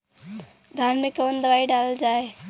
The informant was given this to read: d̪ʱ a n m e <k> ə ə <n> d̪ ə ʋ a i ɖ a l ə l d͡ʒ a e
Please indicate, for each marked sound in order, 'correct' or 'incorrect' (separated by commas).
correct, correct